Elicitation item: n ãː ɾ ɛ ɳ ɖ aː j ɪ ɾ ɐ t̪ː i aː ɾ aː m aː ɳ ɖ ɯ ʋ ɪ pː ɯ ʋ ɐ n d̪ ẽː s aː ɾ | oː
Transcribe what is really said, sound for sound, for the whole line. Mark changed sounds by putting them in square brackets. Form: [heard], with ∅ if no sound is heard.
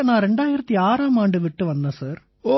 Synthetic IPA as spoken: n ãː ɾ ɛ ɳ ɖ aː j ɪ ɾ ɐ t̪ː i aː ɾ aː m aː ɳ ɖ ɯ ʋ ɪ [ʈː] ɯ ʋ ɐ n d̪ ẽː s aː ɾ | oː